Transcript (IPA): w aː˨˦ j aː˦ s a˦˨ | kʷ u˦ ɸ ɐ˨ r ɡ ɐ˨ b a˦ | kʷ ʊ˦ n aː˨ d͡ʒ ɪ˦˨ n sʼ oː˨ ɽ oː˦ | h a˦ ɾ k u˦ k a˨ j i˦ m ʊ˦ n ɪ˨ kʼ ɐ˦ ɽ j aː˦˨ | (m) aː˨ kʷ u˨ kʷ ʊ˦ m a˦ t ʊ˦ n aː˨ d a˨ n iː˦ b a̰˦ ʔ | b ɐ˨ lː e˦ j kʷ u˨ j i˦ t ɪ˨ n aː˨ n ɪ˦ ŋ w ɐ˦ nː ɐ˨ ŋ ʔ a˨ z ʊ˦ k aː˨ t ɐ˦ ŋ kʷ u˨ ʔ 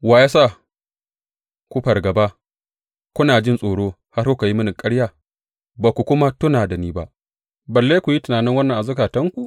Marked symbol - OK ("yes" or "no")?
no